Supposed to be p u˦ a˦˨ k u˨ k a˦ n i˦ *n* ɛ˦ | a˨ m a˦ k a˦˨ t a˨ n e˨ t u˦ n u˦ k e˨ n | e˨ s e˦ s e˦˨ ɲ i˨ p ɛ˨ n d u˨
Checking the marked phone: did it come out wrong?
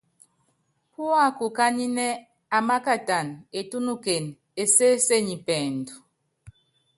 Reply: no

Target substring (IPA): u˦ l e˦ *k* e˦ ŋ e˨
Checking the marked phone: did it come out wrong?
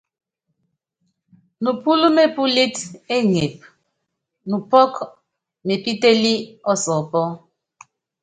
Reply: yes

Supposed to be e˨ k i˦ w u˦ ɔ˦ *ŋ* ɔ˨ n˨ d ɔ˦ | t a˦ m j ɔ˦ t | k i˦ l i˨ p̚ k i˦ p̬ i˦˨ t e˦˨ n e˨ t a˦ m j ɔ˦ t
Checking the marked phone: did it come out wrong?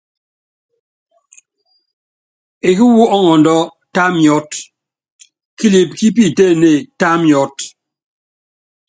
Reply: no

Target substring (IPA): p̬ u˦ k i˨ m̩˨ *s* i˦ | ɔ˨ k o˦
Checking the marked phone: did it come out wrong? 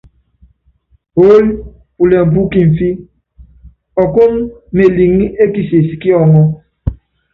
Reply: yes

